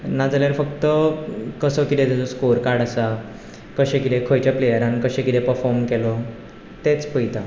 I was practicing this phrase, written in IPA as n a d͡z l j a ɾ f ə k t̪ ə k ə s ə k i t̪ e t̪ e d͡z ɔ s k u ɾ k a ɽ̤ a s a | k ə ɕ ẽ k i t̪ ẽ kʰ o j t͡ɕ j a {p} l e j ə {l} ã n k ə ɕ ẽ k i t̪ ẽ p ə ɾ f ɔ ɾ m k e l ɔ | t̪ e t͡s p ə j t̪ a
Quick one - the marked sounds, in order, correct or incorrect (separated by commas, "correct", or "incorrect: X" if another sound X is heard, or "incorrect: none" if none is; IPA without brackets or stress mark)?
correct, incorrect: ɾ